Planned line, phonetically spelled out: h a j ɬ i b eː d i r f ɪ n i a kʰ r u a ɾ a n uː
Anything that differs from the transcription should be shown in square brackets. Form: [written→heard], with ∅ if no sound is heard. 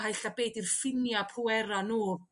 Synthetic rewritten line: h a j ɬ [i→a] b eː d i r f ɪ n [i→j] a [kʰ→pʰ] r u [a→ɛ] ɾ a n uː